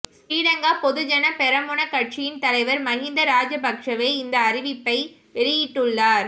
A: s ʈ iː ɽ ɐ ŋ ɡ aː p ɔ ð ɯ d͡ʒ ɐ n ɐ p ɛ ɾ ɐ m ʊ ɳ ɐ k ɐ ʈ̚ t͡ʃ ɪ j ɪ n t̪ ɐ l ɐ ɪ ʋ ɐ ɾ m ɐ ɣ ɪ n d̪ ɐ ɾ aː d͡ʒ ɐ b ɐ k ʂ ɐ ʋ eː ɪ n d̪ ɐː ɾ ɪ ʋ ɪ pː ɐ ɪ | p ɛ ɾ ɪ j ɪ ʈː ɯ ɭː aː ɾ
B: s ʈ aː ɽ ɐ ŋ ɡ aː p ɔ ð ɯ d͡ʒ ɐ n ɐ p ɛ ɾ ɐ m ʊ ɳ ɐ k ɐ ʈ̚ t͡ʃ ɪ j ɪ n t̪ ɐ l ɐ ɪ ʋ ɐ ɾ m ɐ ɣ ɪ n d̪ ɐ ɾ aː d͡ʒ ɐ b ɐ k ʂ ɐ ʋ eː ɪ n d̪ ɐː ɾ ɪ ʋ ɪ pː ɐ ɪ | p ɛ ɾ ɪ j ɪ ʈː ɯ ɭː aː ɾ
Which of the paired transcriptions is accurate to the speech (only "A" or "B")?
A